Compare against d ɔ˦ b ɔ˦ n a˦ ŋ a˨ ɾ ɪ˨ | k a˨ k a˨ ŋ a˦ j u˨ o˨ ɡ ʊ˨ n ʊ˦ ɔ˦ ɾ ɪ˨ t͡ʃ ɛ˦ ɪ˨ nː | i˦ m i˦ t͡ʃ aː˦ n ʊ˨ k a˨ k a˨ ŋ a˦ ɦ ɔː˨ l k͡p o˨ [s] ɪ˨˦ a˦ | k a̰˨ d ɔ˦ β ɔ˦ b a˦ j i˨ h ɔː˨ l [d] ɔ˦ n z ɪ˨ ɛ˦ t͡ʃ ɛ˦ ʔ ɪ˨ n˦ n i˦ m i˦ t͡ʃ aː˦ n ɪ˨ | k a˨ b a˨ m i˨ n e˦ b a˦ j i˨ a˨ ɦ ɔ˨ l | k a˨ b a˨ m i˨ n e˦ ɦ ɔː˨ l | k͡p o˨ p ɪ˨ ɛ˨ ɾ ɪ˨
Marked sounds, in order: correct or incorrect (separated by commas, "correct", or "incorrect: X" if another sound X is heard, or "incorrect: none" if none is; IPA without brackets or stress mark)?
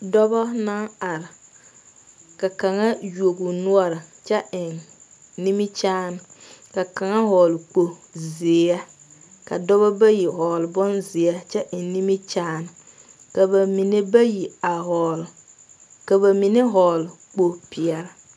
incorrect: z, incorrect: b